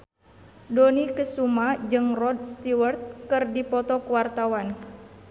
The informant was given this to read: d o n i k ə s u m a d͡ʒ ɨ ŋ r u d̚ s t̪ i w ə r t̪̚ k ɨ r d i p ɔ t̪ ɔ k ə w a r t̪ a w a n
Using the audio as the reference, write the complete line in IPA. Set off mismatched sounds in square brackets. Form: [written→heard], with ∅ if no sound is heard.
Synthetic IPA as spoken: d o n i k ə s u m a d͡ʒ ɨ ŋ r [u→ɔ] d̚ s t̪ i w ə r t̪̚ k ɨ r d i p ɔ t̪ ɔ k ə w a r t̪ a w a n